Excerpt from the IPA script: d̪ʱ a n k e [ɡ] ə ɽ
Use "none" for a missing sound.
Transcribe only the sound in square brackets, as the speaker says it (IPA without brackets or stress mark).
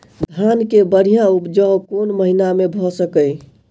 b